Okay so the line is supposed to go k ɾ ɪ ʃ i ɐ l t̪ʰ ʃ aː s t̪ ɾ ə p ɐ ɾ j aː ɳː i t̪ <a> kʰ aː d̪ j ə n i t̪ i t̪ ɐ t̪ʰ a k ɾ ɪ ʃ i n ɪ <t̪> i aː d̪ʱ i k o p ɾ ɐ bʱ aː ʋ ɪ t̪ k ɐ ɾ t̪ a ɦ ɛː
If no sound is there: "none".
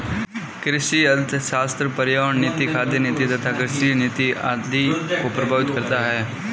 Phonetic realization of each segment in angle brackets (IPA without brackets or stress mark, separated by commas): i, t̪